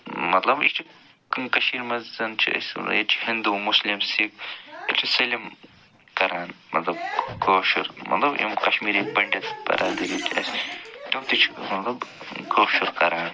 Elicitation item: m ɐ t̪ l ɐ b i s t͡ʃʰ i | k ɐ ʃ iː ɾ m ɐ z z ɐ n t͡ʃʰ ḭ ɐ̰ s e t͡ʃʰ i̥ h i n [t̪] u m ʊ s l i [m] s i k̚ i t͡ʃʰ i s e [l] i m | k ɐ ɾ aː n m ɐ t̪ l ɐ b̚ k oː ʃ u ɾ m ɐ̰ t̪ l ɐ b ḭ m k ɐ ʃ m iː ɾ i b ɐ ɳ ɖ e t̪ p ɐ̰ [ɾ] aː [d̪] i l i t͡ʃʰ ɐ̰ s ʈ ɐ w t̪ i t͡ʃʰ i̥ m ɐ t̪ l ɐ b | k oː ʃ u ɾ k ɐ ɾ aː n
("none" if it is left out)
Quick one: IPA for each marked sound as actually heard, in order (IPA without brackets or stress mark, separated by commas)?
d̪, m, l, ɾ, d̪